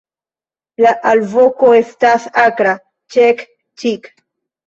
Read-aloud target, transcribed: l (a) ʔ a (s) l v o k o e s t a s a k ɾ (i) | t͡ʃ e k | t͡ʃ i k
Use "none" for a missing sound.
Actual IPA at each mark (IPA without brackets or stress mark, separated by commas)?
a, none, a